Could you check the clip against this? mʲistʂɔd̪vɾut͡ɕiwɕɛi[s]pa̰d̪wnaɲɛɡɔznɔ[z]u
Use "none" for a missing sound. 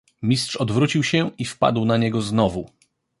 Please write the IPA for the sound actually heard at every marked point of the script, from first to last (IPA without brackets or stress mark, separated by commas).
f, v